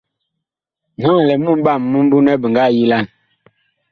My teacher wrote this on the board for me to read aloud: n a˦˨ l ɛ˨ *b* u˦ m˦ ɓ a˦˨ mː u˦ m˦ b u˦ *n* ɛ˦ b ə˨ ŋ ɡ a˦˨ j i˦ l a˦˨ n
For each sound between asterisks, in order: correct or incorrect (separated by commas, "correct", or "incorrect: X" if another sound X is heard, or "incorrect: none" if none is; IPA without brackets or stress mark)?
incorrect: m, correct